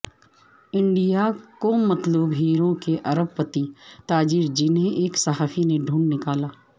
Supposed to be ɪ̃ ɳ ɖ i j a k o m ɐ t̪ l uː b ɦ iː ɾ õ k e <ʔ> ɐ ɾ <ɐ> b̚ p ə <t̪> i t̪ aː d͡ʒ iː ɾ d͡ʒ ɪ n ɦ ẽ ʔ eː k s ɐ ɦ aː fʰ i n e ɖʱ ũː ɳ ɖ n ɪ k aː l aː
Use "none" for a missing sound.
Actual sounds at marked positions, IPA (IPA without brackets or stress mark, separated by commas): ʔ, ə, t̪